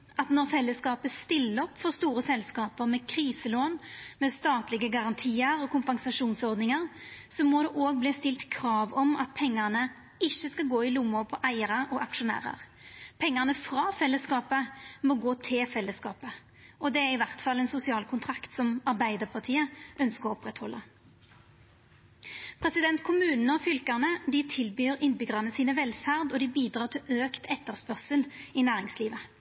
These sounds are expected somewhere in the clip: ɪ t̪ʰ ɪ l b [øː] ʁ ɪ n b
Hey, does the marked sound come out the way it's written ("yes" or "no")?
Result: no